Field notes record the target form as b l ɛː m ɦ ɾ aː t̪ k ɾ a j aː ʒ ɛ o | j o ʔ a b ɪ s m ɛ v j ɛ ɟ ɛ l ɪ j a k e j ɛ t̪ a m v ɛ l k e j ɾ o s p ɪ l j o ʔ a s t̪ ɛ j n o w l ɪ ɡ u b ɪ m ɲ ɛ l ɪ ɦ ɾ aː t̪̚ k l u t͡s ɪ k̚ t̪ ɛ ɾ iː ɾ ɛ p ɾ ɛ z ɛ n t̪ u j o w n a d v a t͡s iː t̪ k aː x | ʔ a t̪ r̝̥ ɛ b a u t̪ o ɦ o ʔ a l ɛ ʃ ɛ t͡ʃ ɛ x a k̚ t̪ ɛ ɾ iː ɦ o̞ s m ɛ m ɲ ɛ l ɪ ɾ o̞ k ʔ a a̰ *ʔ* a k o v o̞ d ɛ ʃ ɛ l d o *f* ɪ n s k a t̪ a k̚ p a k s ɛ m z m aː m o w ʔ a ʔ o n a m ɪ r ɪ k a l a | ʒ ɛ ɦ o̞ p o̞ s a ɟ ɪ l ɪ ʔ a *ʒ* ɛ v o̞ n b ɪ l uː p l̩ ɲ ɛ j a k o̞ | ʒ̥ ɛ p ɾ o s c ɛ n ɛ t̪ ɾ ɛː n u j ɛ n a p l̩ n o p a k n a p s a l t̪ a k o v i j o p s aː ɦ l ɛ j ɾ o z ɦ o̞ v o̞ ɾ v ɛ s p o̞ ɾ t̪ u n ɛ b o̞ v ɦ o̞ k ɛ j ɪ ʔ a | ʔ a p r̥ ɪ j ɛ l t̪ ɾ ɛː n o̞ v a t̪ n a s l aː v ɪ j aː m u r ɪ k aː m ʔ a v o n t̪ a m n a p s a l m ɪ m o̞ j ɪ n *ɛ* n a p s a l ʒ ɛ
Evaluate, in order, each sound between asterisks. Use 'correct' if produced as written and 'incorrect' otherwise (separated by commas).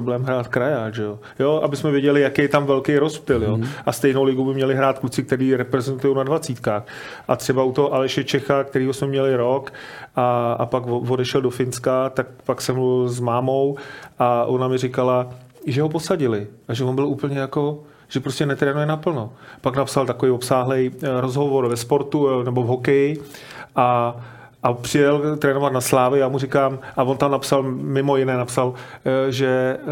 incorrect, correct, correct, incorrect